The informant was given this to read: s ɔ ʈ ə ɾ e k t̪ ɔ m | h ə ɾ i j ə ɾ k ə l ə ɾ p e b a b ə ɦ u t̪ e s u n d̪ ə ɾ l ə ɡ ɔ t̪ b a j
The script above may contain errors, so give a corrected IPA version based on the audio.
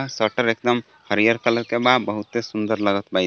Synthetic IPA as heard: s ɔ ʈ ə ɾ e k d̪ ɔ m | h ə ɾ i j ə ɾ k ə l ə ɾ k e b a b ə ɦ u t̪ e s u n d̪ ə ɾ l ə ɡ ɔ t̪ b a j